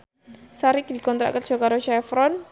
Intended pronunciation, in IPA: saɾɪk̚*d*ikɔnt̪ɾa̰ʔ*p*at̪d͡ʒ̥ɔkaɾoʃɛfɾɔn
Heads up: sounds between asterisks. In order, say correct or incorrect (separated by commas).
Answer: correct, incorrect